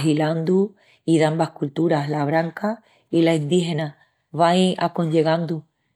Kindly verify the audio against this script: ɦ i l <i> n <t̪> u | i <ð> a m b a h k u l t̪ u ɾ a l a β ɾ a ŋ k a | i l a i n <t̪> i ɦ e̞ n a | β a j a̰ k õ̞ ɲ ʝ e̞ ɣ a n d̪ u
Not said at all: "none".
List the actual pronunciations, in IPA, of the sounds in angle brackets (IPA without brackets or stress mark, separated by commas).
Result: a, d̪, ð, d̪